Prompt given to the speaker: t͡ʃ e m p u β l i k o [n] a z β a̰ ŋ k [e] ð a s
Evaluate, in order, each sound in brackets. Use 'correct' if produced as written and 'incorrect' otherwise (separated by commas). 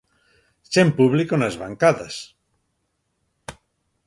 correct, incorrect